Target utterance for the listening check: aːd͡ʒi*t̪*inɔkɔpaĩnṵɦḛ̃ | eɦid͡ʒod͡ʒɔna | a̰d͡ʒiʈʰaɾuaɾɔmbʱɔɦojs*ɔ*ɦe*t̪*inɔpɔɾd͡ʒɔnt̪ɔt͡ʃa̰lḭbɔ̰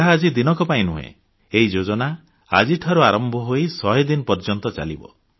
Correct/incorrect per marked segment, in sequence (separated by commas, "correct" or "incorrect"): incorrect, correct, incorrect